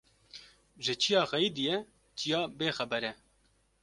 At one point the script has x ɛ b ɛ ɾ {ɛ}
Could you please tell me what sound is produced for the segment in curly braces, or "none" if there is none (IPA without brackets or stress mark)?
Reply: ɛ